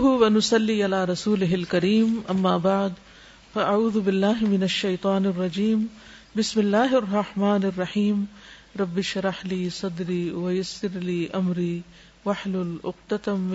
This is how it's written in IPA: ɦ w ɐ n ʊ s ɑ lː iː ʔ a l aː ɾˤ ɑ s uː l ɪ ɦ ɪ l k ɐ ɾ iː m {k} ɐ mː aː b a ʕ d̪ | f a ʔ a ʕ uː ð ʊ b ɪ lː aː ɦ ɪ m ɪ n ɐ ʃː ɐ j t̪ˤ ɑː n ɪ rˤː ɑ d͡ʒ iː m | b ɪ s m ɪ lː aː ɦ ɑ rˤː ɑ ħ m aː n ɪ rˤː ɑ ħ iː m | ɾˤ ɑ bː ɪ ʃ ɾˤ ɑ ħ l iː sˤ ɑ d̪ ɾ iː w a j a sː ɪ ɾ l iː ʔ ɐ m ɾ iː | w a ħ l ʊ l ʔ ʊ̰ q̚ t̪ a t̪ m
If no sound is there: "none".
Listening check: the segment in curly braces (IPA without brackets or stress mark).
ʔ